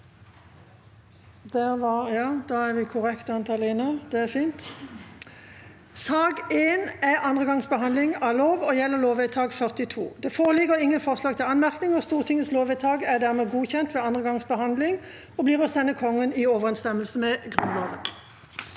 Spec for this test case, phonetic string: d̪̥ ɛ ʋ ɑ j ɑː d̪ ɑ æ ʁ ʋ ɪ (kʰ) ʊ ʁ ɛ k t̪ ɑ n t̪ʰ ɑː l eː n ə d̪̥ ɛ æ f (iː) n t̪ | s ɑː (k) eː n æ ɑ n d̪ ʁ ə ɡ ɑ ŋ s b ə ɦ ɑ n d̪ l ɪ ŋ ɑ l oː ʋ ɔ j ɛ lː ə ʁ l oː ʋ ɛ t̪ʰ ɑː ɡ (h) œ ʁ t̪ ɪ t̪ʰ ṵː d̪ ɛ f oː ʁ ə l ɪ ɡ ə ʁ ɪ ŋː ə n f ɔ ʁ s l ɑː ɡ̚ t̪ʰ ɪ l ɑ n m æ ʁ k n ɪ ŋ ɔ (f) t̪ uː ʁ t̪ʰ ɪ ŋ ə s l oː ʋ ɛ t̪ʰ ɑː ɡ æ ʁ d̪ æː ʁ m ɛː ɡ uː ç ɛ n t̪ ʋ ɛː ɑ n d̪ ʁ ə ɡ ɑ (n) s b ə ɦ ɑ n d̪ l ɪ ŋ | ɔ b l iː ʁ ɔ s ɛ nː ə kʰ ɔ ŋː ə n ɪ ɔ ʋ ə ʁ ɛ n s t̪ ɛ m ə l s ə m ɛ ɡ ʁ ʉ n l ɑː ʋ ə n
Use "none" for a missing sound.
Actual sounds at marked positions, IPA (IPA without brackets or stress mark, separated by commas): kʰ, iː, ɡ, f, s, ŋ